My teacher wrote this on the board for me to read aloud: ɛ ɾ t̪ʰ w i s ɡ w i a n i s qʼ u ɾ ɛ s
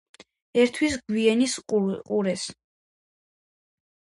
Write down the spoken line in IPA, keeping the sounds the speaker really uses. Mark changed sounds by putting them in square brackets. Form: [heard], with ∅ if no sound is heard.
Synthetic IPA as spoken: ɛ ɾ t̪ʰ w i s ɡ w i [ɛ] n i s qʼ u ɾ ɛ s